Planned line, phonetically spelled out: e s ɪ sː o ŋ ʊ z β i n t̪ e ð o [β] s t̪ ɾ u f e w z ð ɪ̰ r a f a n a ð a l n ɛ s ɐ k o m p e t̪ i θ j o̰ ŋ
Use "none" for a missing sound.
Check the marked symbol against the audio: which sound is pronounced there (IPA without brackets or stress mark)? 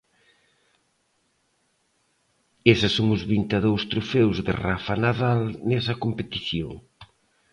w